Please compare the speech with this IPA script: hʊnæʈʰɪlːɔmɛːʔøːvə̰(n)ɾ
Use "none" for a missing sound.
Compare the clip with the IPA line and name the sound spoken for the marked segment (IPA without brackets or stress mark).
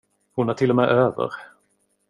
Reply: none